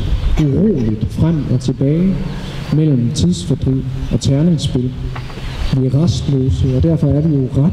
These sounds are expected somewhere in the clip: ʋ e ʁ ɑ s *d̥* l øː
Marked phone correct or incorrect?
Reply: correct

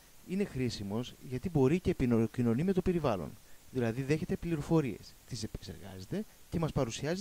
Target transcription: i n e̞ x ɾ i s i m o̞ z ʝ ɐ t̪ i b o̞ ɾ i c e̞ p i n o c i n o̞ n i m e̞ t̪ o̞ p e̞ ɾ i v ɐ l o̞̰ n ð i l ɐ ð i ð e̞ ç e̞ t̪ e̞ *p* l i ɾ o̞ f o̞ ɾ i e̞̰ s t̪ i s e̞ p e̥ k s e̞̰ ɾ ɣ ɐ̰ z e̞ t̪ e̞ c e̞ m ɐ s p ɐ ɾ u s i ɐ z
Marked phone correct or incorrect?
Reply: correct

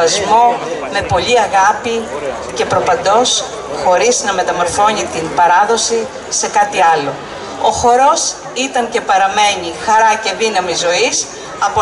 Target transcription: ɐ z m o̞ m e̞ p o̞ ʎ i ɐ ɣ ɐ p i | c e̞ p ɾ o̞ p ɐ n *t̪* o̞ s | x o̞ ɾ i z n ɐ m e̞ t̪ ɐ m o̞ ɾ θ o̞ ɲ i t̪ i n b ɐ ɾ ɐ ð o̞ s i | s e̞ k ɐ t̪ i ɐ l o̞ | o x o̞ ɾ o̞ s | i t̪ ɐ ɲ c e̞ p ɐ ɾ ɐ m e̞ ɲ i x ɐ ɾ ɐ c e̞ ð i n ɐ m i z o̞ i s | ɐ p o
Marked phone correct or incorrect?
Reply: incorrect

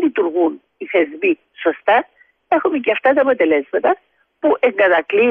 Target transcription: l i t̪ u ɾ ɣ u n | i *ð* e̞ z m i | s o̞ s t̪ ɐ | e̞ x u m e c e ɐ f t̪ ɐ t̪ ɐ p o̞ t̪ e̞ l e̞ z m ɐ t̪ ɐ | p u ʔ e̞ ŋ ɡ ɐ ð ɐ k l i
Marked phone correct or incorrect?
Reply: incorrect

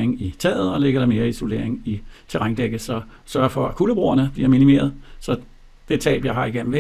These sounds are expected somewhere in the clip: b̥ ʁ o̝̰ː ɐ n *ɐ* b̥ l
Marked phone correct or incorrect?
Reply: incorrect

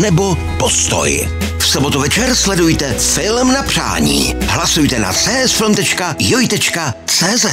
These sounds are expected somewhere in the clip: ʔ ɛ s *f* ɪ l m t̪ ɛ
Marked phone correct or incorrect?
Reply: correct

